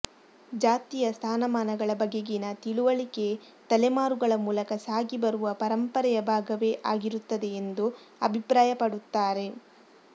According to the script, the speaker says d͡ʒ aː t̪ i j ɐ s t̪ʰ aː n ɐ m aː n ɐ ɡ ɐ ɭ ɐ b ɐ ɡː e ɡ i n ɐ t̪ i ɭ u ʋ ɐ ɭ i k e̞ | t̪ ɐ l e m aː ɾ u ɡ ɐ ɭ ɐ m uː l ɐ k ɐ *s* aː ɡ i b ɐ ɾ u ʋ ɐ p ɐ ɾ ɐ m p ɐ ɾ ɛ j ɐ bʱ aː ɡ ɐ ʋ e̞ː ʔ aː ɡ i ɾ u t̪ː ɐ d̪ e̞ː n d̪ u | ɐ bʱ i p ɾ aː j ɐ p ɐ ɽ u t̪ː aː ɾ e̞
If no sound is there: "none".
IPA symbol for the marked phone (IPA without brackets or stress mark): s